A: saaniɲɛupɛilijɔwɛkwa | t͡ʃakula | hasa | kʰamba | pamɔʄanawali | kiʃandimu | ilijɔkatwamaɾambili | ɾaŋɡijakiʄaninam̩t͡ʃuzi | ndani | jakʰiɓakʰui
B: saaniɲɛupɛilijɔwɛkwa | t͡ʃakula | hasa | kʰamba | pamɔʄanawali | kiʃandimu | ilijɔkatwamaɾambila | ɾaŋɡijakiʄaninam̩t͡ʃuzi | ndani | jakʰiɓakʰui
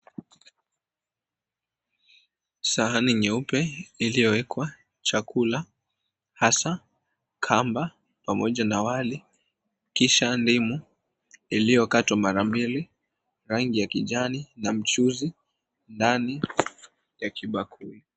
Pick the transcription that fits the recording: A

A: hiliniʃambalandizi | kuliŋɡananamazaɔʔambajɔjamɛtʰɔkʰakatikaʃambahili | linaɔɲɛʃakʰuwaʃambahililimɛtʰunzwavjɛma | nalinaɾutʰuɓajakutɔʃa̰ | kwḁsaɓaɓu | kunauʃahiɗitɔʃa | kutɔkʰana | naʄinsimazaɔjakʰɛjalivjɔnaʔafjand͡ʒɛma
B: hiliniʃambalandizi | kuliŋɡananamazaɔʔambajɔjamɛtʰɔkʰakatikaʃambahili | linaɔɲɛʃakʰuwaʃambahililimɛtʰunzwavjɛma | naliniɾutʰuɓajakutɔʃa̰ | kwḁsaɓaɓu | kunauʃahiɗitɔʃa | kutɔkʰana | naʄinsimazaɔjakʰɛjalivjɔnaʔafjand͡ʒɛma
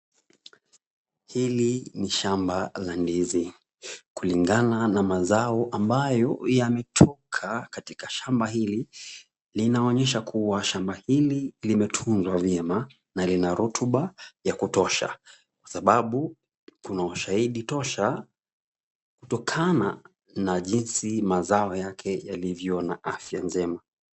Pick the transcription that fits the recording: A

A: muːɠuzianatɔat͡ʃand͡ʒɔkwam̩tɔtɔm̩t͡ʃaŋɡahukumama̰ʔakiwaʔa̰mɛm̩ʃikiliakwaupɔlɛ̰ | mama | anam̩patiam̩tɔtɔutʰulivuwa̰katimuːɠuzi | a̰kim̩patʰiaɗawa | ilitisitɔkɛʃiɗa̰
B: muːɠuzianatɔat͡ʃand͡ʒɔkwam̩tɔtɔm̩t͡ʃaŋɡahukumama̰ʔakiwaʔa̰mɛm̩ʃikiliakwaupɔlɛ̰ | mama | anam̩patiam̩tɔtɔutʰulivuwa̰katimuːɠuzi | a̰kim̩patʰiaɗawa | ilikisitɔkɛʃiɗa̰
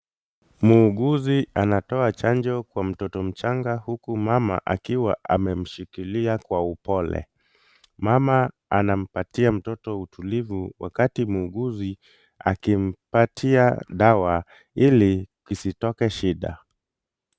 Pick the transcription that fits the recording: B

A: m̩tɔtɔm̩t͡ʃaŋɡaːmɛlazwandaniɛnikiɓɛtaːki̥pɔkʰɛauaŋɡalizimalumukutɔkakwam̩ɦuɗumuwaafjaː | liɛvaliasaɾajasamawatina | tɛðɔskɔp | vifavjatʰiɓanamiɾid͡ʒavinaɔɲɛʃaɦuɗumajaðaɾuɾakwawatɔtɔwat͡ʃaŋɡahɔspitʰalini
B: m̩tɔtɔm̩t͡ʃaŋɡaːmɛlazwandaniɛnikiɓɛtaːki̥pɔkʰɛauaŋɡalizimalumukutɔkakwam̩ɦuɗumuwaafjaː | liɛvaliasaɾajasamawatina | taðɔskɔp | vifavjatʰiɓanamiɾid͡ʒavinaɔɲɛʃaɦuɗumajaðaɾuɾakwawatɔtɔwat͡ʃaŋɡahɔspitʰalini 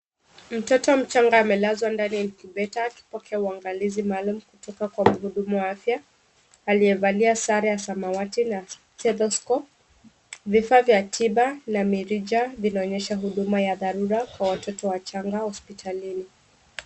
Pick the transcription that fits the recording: A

